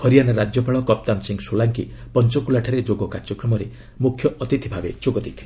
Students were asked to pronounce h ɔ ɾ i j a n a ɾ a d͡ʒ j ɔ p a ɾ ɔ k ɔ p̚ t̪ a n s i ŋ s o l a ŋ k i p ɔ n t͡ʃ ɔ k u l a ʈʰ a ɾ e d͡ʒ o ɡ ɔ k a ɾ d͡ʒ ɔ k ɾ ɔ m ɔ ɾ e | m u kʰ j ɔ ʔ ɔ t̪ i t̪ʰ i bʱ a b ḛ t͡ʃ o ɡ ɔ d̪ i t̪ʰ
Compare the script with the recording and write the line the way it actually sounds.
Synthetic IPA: h ɔ ɾ i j a n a ɾ a d͡ʒ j ɔ p a ɭ ɔ k ɔ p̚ t̪ a n s i ŋ s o l a ŋ k i p ɔ n t͡ʃ ɔ k u l a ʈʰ a ɾ e d͡ʒ o ɡ ɔ k a ɾ d͡ʒ ɔ k ɾ ɔ m ɔ ɾ e | m u kʰ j ɔ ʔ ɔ t̪ i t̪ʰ i bʱ a b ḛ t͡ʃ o ɡ ɔ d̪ i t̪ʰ